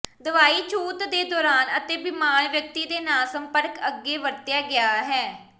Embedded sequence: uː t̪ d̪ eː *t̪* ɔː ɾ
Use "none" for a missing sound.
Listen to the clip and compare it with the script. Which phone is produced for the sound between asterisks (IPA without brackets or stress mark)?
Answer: d̪